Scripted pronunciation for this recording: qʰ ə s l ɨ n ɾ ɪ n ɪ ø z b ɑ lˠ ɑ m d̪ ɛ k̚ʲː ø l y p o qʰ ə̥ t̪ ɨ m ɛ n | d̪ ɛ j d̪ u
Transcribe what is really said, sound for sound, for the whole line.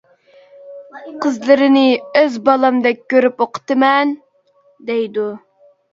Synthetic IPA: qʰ ə z l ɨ ɾ ɪ n ɪ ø z b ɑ lˠ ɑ m d̪ ɛ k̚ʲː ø ɾ y p o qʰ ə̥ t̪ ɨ m ɛ n | d̪ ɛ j d̪ u